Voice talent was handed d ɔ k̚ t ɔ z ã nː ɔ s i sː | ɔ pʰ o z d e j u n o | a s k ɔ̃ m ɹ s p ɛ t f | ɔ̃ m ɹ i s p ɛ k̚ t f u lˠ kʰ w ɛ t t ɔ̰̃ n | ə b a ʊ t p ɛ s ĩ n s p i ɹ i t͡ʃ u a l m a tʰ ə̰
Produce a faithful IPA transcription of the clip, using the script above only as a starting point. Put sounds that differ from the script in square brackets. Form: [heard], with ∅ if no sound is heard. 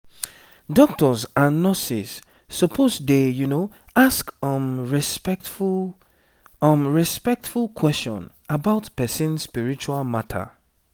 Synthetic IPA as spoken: d ɔ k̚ t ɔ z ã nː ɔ s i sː | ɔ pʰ o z d e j u n o | a s k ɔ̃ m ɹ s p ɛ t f | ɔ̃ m ɹ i s p ɛ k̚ t f u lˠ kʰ w ɛ [s] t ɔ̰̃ n | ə b a ʊ t p ɛ s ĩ n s p i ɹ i t͡ʃ u a l m a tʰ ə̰